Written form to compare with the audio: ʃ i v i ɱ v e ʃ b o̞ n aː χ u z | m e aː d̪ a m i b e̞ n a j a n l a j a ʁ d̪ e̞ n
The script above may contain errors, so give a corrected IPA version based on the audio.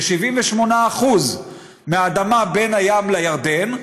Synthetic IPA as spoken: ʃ i v i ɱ v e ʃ m o̞ n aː χ u z | m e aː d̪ a m a b e̞ n a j a m l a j a ʁ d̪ e̞ n